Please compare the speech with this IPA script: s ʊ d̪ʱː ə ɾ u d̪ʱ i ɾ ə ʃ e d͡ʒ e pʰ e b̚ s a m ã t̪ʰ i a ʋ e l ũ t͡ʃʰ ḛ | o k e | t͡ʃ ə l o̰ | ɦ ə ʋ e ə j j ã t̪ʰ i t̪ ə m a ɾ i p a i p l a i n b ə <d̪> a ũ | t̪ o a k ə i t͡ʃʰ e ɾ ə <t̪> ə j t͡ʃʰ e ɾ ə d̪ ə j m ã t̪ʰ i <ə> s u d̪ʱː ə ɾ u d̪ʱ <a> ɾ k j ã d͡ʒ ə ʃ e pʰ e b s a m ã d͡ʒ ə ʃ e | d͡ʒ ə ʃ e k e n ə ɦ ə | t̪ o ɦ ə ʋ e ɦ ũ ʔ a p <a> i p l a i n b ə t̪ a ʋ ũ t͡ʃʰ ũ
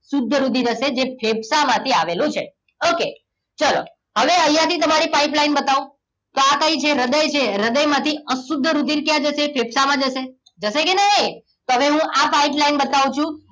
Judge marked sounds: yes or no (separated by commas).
no, no, yes, no, yes